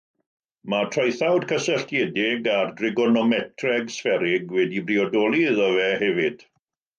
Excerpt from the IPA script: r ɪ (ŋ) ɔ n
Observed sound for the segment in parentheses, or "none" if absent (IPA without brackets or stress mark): ɡ